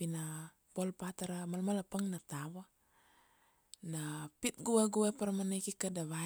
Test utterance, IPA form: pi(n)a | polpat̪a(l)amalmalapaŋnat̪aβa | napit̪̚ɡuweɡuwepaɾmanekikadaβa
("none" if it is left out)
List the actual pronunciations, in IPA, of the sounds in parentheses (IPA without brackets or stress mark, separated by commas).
n, ɾ